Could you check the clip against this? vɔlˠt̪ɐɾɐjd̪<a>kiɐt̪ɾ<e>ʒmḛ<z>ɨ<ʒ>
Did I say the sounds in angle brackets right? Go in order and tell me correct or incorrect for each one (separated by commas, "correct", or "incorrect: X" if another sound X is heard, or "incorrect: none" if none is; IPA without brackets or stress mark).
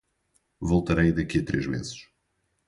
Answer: incorrect: ɐ, correct, correct, incorrect: ʃ